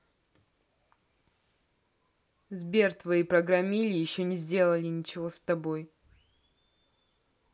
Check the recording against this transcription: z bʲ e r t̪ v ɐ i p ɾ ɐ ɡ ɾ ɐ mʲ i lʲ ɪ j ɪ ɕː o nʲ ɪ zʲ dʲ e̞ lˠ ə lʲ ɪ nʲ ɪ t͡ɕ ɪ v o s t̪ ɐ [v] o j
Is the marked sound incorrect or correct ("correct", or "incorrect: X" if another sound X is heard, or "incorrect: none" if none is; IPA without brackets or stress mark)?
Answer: incorrect: b